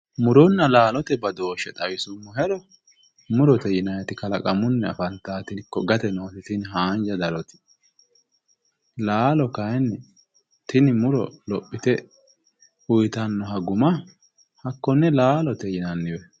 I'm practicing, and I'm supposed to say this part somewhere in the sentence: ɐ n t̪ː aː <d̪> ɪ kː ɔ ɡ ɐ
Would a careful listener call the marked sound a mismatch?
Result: yes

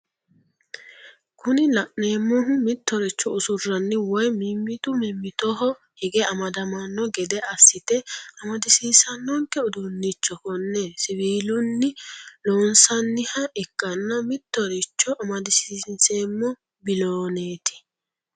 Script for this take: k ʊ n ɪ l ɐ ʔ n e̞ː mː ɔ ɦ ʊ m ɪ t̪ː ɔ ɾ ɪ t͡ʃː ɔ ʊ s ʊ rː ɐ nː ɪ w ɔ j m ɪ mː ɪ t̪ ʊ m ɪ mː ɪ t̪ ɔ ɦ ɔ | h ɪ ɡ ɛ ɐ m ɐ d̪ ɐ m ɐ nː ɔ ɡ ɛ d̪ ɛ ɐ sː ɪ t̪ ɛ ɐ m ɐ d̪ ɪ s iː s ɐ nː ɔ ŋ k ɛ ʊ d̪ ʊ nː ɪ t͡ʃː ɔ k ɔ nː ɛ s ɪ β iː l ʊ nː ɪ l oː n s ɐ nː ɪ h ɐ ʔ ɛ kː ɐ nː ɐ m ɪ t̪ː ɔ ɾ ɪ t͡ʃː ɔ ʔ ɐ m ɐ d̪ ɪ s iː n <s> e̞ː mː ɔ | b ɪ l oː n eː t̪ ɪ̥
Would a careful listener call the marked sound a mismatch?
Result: no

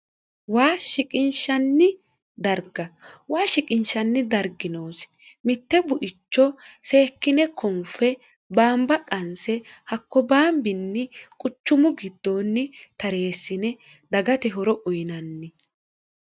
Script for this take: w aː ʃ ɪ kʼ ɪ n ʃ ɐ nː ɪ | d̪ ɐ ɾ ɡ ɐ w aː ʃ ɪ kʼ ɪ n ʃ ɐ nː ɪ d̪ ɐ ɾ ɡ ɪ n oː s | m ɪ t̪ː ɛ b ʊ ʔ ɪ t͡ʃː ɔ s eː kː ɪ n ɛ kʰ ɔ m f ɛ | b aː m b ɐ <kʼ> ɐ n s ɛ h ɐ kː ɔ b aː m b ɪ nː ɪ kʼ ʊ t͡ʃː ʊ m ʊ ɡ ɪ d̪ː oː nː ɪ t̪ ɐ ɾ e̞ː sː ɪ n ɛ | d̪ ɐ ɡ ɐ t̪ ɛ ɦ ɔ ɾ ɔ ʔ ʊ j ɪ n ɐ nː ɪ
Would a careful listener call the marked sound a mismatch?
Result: no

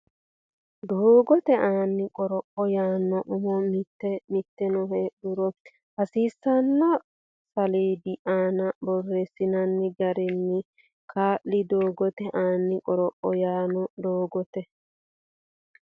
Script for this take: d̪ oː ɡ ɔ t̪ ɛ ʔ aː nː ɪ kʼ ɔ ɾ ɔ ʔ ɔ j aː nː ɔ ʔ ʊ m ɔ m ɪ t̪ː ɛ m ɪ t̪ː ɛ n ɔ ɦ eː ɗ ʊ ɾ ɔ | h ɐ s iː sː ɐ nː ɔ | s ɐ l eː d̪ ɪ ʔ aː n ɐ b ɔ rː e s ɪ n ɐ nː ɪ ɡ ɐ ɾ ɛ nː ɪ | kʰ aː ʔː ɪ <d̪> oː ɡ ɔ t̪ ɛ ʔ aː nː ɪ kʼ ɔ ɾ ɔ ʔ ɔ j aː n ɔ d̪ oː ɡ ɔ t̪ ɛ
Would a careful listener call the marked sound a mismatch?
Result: no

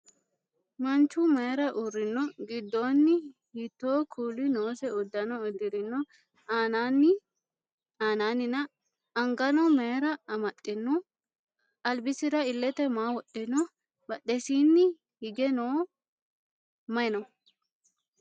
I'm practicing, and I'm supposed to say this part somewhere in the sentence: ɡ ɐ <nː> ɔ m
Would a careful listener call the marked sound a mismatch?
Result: yes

